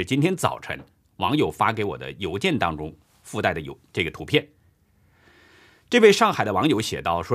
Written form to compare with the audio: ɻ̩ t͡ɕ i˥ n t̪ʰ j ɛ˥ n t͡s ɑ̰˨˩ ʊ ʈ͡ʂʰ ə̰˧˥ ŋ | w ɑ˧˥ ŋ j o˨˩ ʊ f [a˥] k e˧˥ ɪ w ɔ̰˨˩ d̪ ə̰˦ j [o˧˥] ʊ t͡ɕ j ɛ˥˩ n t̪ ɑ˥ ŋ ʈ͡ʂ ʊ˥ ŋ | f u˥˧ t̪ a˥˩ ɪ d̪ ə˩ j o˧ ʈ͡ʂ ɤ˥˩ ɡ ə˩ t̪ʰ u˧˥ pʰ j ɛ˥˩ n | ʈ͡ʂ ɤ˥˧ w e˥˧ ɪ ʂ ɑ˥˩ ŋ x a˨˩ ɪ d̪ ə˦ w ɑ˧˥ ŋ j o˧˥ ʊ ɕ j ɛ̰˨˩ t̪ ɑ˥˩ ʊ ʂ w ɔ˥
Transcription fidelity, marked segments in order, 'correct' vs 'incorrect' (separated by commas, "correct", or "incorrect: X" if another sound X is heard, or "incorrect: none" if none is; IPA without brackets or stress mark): correct, correct